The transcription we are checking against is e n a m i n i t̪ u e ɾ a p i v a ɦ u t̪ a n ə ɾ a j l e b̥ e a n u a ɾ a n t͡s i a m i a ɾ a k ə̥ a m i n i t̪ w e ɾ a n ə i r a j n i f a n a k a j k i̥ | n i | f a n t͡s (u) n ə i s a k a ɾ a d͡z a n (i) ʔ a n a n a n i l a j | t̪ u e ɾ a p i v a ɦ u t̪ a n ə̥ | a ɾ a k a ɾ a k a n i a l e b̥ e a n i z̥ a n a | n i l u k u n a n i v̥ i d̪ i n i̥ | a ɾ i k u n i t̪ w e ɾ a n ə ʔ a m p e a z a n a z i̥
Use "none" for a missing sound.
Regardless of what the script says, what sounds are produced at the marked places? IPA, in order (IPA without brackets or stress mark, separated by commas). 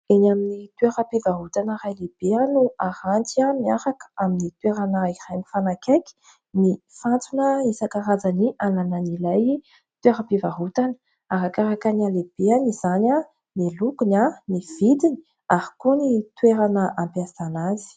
u, i